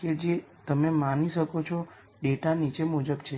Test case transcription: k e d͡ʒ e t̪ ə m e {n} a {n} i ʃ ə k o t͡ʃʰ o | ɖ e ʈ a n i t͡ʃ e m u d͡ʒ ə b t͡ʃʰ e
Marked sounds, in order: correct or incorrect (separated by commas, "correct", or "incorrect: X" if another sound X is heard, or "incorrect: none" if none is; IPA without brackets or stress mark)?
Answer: incorrect: m, correct